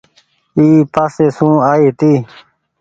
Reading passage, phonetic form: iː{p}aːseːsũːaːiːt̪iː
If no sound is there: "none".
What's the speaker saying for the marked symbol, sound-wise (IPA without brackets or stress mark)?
p